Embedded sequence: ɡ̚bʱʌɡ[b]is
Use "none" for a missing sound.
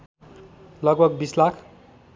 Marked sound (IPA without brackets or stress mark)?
b